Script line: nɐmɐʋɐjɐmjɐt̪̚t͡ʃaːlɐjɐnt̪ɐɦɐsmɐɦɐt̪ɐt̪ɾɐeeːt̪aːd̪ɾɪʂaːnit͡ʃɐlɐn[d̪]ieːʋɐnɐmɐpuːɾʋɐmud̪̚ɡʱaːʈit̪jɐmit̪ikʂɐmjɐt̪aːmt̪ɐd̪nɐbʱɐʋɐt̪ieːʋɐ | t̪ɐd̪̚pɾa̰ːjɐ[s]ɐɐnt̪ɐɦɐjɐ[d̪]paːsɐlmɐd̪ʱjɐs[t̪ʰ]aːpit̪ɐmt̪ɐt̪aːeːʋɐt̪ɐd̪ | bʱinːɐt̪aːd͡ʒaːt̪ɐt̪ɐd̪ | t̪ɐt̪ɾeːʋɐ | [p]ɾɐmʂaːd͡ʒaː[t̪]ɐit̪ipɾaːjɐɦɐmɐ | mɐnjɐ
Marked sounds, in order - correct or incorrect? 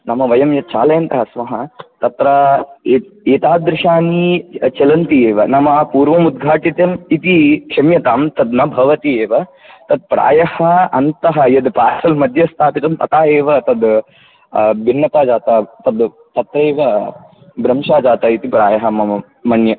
incorrect, incorrect, correct, correct, incorrect, correct

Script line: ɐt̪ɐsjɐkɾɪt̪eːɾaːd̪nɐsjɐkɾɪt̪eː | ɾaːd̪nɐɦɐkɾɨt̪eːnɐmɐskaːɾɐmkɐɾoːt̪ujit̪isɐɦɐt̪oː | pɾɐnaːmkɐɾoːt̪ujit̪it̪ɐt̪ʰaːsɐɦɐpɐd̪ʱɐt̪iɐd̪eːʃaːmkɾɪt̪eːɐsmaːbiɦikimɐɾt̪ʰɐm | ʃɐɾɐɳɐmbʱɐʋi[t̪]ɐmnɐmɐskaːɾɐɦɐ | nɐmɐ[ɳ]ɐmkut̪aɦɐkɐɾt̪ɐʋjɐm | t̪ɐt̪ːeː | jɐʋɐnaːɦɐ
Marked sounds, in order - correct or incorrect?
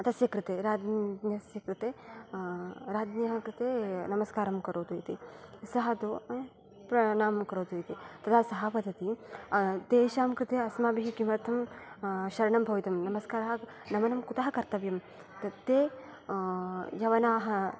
correct, incorrect

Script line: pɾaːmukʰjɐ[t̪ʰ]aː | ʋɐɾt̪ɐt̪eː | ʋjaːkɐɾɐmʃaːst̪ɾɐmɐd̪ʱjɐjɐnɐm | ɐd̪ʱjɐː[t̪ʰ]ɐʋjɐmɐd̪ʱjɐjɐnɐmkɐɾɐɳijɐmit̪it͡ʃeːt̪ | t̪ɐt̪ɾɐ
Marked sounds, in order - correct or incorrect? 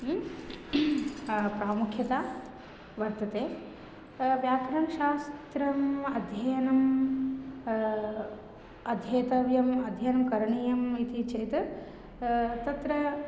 incorrect, incorrect

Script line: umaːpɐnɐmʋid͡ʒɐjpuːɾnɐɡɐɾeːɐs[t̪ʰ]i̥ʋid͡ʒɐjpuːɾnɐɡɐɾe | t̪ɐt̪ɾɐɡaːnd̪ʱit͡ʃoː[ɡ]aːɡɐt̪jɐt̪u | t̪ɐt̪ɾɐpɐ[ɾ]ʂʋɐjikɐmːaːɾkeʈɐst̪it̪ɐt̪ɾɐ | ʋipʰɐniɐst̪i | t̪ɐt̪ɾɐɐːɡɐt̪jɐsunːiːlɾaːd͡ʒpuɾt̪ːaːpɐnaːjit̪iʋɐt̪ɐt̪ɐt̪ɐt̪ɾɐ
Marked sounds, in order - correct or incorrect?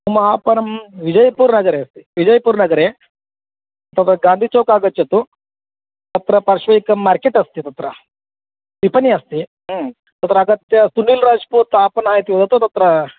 incorrect, incorrect, correct

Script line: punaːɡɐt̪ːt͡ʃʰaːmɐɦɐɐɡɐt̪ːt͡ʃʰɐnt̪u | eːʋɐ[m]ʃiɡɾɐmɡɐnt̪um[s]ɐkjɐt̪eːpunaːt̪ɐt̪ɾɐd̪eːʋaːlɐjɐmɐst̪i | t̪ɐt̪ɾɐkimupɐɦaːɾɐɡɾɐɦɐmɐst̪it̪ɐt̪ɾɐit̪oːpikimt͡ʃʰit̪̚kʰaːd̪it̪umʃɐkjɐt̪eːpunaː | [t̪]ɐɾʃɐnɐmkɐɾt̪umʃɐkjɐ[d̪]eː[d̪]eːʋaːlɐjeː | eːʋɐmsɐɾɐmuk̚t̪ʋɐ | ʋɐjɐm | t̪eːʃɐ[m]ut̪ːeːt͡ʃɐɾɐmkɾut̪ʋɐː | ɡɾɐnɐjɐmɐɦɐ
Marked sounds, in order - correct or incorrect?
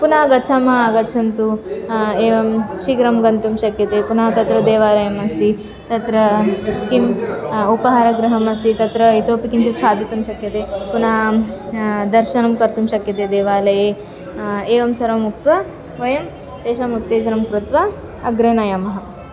correct, incorrect, incorrect, incorrect, correct, correct

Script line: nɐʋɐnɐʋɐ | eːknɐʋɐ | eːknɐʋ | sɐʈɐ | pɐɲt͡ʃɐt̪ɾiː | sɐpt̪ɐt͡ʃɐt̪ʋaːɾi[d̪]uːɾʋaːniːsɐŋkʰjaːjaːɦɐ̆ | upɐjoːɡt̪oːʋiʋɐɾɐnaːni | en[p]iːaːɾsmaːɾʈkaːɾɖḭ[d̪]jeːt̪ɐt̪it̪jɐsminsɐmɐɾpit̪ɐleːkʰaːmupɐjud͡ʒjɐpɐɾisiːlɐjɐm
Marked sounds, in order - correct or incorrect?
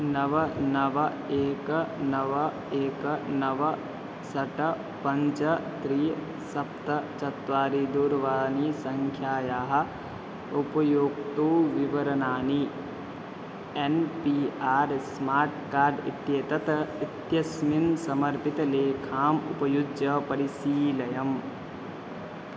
correct, correct, incorrect

